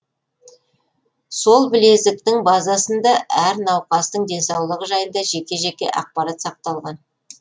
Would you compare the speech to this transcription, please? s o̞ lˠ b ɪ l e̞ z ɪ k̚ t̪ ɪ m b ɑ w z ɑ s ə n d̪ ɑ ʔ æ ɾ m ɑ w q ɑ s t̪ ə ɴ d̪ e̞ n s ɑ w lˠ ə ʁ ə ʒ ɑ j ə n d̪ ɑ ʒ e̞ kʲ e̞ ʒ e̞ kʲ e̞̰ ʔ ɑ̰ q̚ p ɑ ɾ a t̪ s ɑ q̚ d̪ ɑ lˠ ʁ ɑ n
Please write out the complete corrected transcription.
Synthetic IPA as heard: s o̞ lˠ b ɪ l e̞ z ɪ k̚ t̪ ɪ ŋ b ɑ z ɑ s ə n d̪ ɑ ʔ æ ɾ n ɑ w q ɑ s t̪ ə ɴ d̪ e̞ n s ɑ w lˠ ə ʁ ə ʒ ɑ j ə n d̪ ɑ ʒ e̞ kʲ e̞ ʒ e̞ kʲ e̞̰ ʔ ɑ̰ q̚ p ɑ ɾ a t̪ s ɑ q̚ t̪ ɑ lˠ ʁ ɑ n

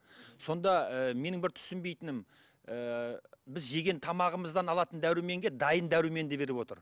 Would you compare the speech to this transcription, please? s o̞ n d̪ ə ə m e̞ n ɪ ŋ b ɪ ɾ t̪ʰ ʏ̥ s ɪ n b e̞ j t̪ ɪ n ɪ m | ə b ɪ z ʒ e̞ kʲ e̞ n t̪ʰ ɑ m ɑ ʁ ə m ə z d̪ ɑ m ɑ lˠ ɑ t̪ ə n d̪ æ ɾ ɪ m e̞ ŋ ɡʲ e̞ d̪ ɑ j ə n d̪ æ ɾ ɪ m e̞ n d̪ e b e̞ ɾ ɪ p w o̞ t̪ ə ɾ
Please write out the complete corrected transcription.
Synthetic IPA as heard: s o̞ n d̪ ɑ ə m e̞ n ɪ ŋ b ɪ ɾ t̪ʰ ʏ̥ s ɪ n b e̞ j t̪ ɪ n ɪ m | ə b ɪ z ʒ e̞ ɡʲ e̞ n t̪ʰ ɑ m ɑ ʁ ə m ə z d̪ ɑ n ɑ lˠ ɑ t̪ ə n d̪ æ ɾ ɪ m e̞ ŋ ɡʲ e̞ d̪ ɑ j ə n d̪ æ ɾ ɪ m e̞ n d̪ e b e̞ ɾ ɪ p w o̞ t̪ ə ɾ

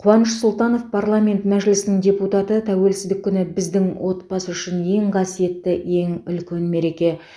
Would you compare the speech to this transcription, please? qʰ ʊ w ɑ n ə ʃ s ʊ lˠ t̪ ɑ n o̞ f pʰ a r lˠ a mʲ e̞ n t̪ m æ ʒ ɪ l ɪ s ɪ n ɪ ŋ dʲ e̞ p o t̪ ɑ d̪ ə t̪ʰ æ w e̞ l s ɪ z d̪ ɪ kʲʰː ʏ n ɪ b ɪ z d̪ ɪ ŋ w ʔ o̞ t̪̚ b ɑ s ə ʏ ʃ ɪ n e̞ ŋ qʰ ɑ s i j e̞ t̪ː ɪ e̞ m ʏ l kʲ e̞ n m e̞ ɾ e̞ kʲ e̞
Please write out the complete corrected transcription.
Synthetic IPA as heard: qʰ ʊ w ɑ n ə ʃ s ʊ lˠ t̪ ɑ n o̞ f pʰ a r lˠ a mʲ e̞ n t̪ m æ ʒ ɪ l ɪ s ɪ n ɪ ŋ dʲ e̞ p u t̪ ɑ t̪ ə t̪ʰ æ w e̞ l s ɪ z d̪ ɪ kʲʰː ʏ n ɪ b ɪ z d̪ ɪ ŋ w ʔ o̞ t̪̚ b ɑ s ə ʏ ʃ ɪ n e̞ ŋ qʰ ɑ s i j e̞ t̪ː ɪ e̞ ŋ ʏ l kʲ e̞ n m e̞ ɾ e̞ kʲ e̞

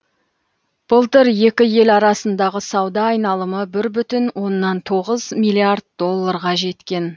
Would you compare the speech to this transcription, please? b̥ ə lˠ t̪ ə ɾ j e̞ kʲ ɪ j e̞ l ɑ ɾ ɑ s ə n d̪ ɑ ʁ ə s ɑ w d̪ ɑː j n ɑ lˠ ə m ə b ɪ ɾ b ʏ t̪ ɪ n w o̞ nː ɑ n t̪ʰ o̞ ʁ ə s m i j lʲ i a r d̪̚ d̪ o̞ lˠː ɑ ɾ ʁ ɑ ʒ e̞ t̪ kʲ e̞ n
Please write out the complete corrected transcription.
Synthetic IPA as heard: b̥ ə lˠ t̪ ə ɾ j e̞ kʲ ɪ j e̞ l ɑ ɾ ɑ s ə n d̪ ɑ ʁ ə s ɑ w d̪ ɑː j n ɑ lˠ ə m ə b ɪ ɾ b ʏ t̪ ɪ n w o̞ nː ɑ n t̪ʰ o̞ ʁ ə z m i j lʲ i a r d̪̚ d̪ o̞ lˠː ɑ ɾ ʁ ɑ ʒ e̞ t̪ kʲ e̞ n

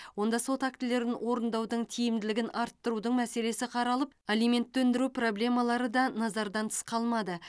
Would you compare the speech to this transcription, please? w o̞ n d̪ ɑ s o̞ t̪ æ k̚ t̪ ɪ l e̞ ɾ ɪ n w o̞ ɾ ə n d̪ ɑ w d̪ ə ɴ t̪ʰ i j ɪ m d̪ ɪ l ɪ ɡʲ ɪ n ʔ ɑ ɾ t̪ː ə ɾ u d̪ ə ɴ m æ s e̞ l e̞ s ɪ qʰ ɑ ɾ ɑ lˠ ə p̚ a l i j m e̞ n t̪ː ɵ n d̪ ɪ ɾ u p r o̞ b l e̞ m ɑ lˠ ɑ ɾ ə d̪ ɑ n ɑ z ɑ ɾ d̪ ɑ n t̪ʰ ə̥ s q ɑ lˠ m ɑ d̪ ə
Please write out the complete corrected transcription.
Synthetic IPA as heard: w o̞ n d̪ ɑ s o̞ t̪ a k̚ t̪ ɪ l e̞ ɾ ɪ n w o̞ ɾ ə n d̪ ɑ w d̪ ə ɴ t̪ʰ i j ɪ m d̪ ɪ l ɪ ɡʲ ɪ n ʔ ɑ ɾ t̪ː ə ɾ u d̪ ə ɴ m æ s e̞ l e̞ s ɪ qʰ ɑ ɾ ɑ lˠ ə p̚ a l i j m e̞ n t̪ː ɵ n d̪ ɪ ɾ u p r o̞ b l e̞ m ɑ lˠ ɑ ɾ ə d̪ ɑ n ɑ z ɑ ɾ d̪ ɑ n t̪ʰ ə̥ s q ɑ lˠ m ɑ d̪ ə

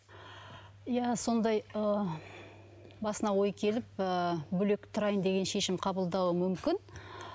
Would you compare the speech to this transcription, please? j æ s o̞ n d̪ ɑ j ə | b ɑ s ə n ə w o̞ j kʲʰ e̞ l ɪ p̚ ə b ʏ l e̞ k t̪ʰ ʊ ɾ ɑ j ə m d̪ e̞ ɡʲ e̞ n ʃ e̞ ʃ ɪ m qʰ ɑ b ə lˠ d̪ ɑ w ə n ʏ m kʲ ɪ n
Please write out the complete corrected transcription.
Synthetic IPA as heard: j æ s o̞ n d̪ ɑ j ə | b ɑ s ə n ɑ w o̞ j kʲʰ e̞ l ɪ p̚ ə b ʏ l e̞ k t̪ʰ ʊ ɾ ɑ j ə n d̪ e̞ ɡʲ e̞ n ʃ e̞ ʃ ɪ m qʰ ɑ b ə lˠ d̪ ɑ w ə m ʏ m kʲ ɪ n

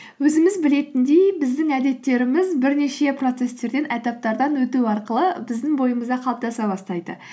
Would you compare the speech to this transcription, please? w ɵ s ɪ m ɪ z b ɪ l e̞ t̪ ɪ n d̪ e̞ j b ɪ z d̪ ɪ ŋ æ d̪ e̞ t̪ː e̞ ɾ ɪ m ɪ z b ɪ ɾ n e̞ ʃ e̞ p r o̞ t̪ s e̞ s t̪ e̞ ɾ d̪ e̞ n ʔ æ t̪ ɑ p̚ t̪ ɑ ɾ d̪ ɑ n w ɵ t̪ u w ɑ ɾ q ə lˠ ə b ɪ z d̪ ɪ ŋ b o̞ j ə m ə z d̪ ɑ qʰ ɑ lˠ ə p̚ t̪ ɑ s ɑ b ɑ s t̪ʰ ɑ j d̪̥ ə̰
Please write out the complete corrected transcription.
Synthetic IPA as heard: w ɵ z ɪ m ɪ z b ɪ l e̞ t̪ ɪ n d̪ e̞ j b ɪ z d̪ ɪ ŋ æ d̪ e̞ t̪ː e̞ ɾ ɪ m ɪ z b ɪ ɾ n e̞ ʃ e̞ p r o̞ t̪ s e̞ s t̪ e̞ ɾ d̪ e̞ n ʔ æ t̪ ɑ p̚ t̪ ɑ ɾ d̪ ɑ n w ɵ t̪ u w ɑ ɾ q ə lˠ ə b ɪ z d̪ ɪ ŋ b o̞ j ə m ə z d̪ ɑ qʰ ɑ lˠ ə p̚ t̪ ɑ s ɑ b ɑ s t̪ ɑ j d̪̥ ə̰

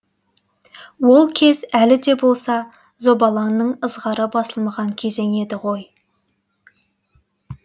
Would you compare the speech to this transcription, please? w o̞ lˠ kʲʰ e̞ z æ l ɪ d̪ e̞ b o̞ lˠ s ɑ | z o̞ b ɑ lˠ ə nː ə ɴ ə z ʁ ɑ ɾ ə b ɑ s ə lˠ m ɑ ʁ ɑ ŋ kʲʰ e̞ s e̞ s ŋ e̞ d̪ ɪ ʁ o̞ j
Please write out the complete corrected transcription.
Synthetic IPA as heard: w o̞ lˠ kʲʰ e̞ z æ l ɪ d̪ e̞ b o̞ lˠ s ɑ | z o̞ b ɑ lˠ ɑ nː ə ɴ ə z ʁ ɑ ɾ ə b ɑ s ə lˠ m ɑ ʁ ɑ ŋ kʲʰ e̞ z e̞ ŋ e̞ d̪ ɪ ʁ o̞ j

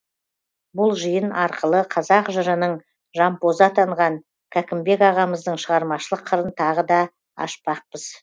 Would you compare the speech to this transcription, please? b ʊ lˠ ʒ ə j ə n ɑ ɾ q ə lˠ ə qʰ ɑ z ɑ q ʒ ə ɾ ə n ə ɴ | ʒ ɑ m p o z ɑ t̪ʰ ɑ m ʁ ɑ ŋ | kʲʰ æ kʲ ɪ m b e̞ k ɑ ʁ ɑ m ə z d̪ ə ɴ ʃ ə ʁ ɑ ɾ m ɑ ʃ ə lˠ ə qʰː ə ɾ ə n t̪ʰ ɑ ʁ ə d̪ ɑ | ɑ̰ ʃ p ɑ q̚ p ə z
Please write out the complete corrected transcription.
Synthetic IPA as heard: b ʊ lˠ ʒ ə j ə n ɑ ɾ q ə lˠ ə qʰ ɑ z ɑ q ʒ ə ɾ ə n ə ɴ | ʒ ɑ m p o z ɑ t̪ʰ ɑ ɴ ʁ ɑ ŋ | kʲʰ æ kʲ ɪ m b e̞ k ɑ ʁ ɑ m ə z d̪ ə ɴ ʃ ə ʁ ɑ ɾ m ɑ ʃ ə lˠ ə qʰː ə ɾ ə n t̪ʰ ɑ ʁ ə d̪ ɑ | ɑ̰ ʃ p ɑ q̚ p ə z

